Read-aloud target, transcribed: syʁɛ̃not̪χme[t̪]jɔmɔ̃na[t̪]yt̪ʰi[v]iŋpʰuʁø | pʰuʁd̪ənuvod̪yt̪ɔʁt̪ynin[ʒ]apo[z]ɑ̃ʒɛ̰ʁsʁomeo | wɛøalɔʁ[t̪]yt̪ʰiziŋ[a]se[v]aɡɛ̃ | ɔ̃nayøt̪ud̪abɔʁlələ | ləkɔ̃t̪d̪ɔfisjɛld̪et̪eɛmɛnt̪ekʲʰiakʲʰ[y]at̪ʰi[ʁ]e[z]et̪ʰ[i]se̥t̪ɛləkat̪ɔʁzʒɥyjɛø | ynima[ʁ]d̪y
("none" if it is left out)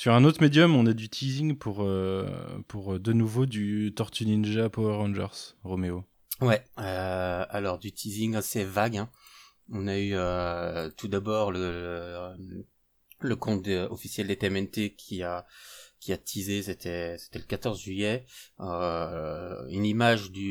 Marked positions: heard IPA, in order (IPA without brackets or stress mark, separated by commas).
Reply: d̪, d̪, z, ʒ, ʁ, d̪, a, v, i, z, s, ɛ, ʒ